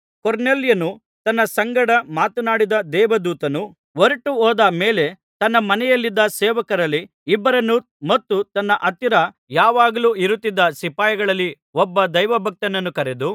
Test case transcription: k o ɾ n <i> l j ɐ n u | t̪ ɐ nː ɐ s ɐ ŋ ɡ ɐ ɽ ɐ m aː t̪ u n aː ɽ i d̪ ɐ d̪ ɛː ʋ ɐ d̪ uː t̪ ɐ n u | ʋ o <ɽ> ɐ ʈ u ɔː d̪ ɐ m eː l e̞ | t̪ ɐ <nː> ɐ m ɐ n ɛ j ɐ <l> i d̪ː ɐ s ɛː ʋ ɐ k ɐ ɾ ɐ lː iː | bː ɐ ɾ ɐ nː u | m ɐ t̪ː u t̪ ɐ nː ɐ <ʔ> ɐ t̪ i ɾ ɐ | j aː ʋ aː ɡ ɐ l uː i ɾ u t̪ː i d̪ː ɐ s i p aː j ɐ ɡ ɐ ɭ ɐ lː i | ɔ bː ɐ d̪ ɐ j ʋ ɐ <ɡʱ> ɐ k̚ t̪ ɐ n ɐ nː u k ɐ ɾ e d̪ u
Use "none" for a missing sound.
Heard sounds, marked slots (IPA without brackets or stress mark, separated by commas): e, ɾ, nː, lː, ʔ, bʱ